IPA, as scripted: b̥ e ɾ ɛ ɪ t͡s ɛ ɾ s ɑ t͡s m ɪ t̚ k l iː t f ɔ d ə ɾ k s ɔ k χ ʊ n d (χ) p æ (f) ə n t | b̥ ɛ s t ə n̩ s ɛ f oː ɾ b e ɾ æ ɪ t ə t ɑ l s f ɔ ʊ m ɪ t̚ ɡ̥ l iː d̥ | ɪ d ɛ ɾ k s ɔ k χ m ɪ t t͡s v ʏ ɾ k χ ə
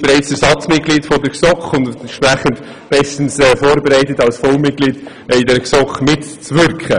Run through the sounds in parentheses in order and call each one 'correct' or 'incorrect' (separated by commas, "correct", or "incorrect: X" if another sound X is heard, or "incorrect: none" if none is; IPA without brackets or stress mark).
incorrect: ʃ, incorrect: χ